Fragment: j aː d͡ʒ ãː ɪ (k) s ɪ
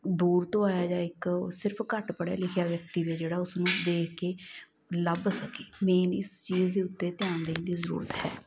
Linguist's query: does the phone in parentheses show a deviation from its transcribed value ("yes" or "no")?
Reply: no